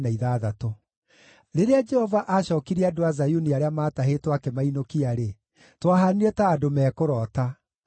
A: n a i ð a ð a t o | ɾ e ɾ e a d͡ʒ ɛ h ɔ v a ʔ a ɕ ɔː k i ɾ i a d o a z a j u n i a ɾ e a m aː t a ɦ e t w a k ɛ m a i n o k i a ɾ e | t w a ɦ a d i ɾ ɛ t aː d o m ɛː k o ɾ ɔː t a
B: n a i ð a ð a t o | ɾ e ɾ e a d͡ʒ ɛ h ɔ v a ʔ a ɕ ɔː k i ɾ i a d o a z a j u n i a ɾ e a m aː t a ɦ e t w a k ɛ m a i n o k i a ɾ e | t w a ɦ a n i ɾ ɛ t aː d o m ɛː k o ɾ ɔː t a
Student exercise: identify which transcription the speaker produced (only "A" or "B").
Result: B